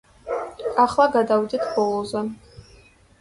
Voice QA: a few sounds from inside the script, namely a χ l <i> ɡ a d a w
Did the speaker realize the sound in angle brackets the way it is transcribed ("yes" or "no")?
no